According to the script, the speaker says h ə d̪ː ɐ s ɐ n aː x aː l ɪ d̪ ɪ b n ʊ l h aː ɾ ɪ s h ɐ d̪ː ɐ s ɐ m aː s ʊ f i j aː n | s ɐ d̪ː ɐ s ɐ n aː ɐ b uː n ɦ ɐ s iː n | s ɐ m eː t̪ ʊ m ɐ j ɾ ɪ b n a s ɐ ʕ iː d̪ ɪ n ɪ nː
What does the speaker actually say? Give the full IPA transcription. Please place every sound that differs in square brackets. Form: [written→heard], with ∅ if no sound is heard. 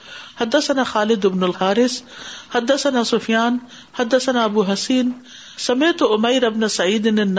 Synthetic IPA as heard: h [ə→ɐ] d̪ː ɐ s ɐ n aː x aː l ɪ d̪ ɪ b n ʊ l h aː ɾ ɪ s h ɐ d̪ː ɐ s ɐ [m→n] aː s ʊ f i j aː n | [s→h] ɐ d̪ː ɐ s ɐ n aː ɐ b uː [n→∅] ɦ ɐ s iː n | s ɐ m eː t̪ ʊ m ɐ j ɾ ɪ b n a s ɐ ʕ iː d̪ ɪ n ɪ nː